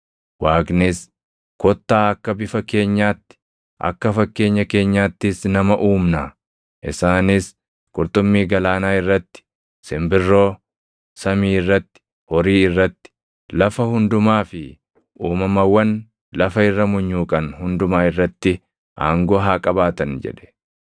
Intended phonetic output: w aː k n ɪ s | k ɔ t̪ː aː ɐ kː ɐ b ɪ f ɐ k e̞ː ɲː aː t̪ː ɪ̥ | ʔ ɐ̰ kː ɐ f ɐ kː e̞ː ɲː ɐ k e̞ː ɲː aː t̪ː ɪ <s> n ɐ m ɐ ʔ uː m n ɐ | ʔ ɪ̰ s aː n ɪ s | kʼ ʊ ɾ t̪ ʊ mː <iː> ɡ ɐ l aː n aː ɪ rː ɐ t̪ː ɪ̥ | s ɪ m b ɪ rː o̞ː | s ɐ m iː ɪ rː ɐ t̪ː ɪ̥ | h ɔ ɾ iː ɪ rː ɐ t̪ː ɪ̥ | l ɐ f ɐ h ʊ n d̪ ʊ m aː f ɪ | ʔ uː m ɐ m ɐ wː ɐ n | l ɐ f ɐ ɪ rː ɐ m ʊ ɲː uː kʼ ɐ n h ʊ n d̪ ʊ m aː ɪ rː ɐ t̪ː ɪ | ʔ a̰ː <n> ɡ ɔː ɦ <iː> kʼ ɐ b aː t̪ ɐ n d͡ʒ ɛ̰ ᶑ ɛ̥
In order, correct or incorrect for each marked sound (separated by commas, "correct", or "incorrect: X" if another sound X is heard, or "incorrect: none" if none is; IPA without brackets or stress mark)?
correct, correct, incorrect: ŋ, incorrect: aː